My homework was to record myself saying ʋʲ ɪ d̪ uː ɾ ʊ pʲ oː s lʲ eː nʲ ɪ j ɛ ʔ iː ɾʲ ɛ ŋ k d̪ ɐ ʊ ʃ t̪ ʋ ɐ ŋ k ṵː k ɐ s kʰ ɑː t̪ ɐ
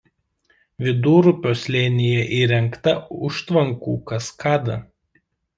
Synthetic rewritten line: ʋʲ ɪ d̪ uː ɾ ʊ pʲ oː s lʲ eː nʲ ɪ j ɛ ʔ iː ɾʲ ɛ ŋ k t̪ ɐ ʊ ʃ t̪ ʋ ɐ ŋ k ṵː k ɐ s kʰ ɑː d̪ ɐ